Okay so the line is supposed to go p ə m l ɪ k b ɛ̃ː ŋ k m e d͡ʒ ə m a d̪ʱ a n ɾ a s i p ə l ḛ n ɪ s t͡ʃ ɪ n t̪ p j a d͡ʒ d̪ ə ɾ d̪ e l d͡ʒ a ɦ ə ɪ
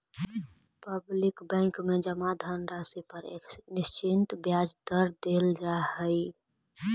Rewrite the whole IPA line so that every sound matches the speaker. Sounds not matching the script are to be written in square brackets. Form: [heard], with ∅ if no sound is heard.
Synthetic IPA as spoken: p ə [b] l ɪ k b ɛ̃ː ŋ k m e d͡ʒ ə m a d̪ʱ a n ɾ a s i p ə [ɾ] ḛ n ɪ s t͡ʃ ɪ n t̪ [b] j a d͡ʒ d̪ ə ɾ d̪ e l d͡ʒ a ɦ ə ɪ